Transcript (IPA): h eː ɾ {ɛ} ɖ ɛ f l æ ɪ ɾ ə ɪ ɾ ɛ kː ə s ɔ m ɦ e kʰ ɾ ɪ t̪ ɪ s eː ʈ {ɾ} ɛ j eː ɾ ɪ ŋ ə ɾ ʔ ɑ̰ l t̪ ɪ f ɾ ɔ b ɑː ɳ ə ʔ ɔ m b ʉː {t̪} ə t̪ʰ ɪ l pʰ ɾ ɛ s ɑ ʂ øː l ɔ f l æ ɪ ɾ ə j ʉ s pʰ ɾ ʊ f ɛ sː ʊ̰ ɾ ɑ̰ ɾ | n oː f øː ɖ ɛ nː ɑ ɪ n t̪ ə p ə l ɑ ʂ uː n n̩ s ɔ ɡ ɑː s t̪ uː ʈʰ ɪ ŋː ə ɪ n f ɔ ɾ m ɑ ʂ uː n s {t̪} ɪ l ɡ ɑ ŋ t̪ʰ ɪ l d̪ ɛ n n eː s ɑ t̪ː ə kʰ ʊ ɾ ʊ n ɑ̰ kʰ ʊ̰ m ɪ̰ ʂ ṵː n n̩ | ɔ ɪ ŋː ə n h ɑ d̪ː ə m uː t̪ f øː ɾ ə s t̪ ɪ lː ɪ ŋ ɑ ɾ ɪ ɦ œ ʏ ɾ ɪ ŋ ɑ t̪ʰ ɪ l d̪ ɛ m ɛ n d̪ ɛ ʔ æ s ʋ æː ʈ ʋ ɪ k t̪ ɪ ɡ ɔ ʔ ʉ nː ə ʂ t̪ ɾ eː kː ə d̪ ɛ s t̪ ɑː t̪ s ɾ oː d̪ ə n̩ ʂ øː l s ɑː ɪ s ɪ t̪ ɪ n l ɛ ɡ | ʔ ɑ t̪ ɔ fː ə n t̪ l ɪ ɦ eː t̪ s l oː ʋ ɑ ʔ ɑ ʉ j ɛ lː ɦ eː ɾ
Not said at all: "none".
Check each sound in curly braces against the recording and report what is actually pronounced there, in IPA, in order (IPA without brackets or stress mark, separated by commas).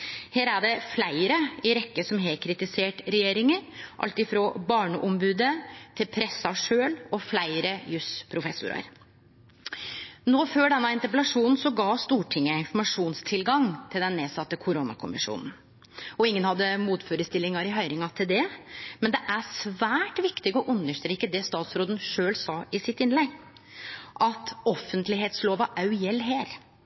æ, ɾ, d̪, t̪ʰ